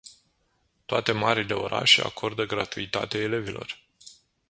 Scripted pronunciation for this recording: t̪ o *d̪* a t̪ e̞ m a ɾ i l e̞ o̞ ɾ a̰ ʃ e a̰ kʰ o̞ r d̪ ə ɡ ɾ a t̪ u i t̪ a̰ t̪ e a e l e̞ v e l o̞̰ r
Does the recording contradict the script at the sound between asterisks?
yes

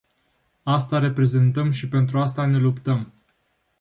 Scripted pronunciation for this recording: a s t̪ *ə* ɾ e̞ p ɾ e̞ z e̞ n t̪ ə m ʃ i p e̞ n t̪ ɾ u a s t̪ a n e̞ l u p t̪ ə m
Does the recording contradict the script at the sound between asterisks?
yes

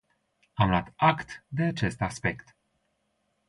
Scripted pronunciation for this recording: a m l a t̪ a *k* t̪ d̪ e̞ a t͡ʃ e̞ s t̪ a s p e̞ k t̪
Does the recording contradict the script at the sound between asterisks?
no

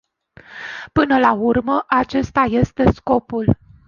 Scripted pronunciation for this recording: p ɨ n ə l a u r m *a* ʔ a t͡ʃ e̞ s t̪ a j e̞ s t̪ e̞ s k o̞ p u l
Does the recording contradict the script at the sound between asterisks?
yes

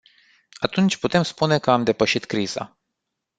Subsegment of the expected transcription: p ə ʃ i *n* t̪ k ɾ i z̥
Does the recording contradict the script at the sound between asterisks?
yes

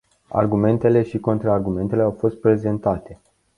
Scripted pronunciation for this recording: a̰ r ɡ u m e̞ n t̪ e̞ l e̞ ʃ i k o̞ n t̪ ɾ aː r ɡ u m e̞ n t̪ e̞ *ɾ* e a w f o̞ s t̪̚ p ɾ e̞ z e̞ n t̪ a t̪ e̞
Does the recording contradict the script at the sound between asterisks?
yes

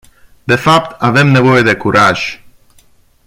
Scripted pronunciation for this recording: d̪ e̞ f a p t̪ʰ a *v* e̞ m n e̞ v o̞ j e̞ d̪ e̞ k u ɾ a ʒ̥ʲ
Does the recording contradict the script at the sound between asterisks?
no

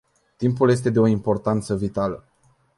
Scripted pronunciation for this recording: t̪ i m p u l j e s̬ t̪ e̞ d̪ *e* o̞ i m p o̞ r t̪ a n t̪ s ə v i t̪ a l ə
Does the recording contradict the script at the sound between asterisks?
no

